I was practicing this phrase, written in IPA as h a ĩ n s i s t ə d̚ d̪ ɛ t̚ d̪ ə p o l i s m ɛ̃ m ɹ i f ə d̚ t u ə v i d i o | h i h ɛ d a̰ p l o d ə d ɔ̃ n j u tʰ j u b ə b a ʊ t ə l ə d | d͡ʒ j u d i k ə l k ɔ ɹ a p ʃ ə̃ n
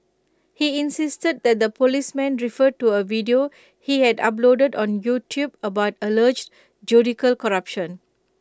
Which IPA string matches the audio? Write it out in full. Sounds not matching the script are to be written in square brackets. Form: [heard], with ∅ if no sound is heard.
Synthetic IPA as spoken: h [i] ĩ n s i s t ə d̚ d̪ ɛ t̚ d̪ ə p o l i s m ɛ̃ [n] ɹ i f ə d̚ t u ə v i d i o | h i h ɛ d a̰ p l o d ə d ɔ̃ n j u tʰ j u b ə b a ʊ t ə l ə [d͡ʒ] | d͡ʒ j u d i k ə l k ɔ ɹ a p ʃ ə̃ n